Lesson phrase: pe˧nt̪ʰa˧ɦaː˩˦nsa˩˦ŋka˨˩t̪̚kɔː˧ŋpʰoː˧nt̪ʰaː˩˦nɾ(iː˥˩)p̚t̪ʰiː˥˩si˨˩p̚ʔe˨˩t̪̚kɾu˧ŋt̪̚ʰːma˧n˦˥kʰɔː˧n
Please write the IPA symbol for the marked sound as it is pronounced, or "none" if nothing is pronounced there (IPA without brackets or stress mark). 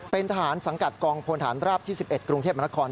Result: aː˥˩